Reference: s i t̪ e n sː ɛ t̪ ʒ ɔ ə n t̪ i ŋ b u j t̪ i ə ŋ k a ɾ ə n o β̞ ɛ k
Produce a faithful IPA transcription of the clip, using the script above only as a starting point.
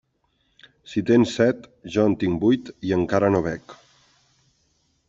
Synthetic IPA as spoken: s i t̪ e n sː ɛ t̪ ʒ ɔ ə n t̪ i ŋ b u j t̪ i ə ŋ k a ɾ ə n o β̞ ɛ k